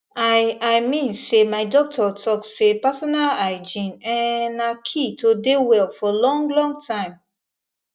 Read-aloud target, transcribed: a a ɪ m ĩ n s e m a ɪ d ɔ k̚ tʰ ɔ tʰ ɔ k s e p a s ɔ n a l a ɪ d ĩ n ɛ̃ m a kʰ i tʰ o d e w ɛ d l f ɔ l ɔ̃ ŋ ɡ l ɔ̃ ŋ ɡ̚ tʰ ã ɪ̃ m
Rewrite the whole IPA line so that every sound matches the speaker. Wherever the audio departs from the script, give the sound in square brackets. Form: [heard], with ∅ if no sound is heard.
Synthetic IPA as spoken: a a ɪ m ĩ n s e m a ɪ d ɔ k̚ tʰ ɔ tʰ ɔ k s e p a s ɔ n a l a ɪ [d͡ʒ] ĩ n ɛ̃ [n] a kʰ i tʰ o d e w ɛ [∅] l f ɔ l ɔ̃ ŋ ɡ l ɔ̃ ŋ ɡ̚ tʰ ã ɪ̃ m